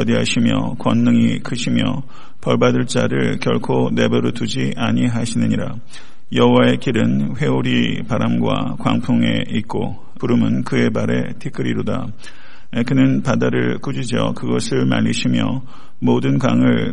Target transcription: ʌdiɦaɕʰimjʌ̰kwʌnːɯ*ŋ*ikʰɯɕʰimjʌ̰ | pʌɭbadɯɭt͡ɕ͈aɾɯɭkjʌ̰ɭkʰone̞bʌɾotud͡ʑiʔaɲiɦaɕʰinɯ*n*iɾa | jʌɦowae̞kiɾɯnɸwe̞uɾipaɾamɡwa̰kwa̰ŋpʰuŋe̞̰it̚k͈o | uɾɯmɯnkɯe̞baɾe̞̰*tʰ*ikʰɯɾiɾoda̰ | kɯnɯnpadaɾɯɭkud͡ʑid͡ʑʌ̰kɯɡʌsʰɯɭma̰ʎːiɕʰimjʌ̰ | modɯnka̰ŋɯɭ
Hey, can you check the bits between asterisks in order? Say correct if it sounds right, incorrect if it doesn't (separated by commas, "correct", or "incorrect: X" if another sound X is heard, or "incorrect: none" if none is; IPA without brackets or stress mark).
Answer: correct, incorrect: ɲ, correct